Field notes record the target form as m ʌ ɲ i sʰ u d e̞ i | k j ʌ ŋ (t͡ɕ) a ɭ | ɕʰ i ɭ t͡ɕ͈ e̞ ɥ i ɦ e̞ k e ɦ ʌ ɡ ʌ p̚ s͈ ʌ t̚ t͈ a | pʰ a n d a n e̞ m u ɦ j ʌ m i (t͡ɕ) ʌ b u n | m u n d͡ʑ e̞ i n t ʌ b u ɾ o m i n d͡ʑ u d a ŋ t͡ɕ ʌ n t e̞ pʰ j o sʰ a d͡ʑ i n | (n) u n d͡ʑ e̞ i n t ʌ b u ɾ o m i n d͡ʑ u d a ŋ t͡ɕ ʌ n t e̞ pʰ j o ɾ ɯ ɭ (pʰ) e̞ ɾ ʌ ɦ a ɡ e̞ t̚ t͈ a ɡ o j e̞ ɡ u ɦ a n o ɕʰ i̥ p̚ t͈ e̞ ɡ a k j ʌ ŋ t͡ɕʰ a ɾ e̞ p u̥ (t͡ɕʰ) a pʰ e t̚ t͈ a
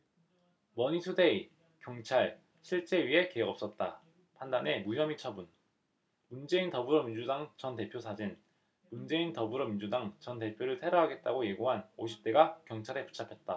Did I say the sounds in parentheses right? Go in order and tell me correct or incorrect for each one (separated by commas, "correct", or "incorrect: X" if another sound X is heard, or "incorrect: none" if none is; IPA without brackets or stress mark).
incorrect: t͡ɕʰ, incorrect: t͡ɕʰ, incorrect: m, incorrect: tʰ, correct